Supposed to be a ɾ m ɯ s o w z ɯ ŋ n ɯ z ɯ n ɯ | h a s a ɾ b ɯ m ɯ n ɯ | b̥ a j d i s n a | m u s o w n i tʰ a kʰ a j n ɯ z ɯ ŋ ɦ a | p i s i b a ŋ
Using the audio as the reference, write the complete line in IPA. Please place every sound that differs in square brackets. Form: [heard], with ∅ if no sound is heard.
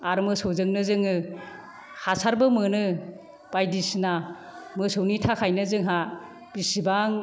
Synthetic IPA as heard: a ɾ m ɯ s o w z ɯ ŋ n ɯ z ɯ [ŋ] ɯ | h a s a ɾ b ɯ m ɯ n ɯ | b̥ a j d i s n a | m [ɯ] s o w n i tʰ a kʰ a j n ɯ z ɯ ŋ ɦ a | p i s i b a ŋ